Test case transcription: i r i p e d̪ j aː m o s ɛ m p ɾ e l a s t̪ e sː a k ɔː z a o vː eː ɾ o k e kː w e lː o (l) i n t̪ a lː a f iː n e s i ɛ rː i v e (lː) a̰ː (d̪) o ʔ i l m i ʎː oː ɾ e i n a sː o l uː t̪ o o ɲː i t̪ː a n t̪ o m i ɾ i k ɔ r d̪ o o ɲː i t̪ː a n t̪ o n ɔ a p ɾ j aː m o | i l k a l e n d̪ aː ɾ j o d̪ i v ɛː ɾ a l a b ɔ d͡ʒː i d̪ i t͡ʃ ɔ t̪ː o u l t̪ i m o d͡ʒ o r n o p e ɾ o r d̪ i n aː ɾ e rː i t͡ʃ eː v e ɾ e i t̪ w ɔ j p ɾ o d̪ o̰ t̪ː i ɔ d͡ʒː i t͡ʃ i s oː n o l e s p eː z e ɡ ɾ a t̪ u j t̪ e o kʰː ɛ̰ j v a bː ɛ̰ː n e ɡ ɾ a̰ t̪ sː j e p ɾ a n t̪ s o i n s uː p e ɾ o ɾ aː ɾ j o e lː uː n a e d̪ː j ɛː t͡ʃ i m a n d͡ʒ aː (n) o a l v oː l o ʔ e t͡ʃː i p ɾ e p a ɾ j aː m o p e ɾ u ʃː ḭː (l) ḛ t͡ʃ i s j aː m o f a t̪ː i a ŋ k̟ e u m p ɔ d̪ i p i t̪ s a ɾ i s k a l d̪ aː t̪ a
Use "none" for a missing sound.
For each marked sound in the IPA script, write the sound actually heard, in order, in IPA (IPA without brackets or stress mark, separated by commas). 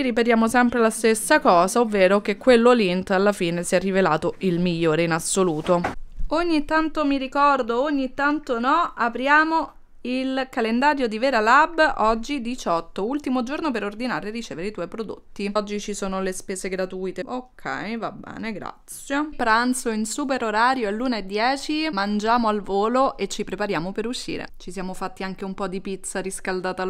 l, l, t̪, m, ɾ